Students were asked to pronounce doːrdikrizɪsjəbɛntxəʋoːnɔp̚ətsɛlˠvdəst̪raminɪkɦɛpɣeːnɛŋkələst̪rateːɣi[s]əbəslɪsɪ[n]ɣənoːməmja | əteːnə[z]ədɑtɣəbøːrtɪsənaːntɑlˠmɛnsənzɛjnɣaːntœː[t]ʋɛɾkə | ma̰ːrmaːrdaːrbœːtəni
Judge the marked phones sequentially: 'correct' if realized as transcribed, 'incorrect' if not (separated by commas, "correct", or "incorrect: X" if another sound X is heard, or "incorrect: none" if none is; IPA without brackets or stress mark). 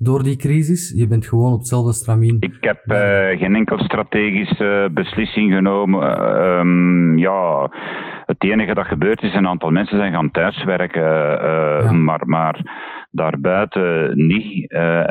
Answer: correct, incorrect: ŋ, incorrect: ɣ, incorrect: s